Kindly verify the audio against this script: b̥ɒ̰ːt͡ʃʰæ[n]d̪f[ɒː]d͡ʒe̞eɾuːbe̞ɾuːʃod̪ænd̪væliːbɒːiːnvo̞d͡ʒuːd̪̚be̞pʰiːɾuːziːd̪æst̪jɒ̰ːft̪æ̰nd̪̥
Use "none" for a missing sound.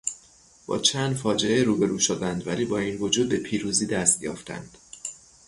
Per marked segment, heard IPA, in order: n, ɒː

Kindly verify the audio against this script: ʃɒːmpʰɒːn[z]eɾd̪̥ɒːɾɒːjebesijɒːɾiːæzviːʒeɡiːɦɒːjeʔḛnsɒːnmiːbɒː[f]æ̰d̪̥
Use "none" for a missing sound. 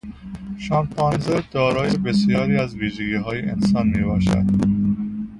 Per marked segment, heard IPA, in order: z, ʃ

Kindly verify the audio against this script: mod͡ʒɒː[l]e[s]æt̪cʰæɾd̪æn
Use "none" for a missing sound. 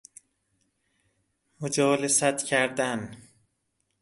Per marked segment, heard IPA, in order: l, s

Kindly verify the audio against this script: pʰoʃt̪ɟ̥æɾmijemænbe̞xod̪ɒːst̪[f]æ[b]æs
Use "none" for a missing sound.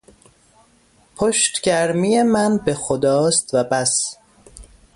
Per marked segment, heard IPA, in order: v, b

